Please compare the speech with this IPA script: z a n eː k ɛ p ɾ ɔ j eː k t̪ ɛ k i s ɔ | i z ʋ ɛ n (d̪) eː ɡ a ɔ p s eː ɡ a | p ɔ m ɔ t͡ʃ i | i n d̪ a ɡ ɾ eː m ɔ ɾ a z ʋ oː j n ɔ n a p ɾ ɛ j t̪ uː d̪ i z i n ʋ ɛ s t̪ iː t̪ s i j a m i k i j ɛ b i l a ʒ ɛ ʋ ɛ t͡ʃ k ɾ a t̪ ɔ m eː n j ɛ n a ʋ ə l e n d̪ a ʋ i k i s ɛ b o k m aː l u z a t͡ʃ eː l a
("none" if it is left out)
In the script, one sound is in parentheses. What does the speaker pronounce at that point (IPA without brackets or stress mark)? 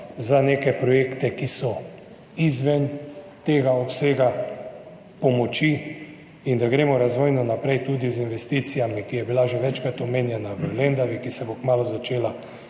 t̪